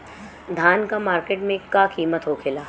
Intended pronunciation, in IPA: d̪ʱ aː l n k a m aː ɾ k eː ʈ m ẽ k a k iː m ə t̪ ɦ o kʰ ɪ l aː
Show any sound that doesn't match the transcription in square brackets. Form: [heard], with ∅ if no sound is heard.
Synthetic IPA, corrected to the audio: d̪ʱ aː [∅] n k a m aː ɾ k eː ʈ m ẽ k a k iː m ə t̪ ɦ o kʰ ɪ l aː